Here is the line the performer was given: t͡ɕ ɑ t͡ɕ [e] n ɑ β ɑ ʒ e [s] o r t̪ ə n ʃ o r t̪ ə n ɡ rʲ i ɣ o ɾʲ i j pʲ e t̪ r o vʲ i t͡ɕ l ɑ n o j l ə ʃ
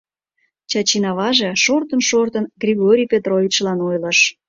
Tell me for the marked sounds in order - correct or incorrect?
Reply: incorrect: i, incorrect: ʃ

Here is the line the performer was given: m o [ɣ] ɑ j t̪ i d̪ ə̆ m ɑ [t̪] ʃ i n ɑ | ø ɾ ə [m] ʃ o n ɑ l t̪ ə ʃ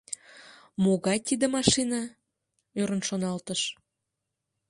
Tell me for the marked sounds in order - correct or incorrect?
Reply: correct, incorrect: none, incorrect: n

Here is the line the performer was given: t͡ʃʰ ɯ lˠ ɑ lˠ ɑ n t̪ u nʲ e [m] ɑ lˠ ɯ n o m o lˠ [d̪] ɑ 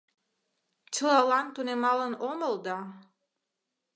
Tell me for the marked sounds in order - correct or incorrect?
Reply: correct, correct

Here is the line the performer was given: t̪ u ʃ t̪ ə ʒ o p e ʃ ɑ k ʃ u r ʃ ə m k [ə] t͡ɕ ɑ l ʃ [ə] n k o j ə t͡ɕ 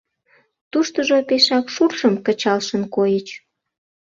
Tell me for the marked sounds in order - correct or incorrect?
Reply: correct, correct

